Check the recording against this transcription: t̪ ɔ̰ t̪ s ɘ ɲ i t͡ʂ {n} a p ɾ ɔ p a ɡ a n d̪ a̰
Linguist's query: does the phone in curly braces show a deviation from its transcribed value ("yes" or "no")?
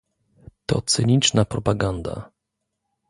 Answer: no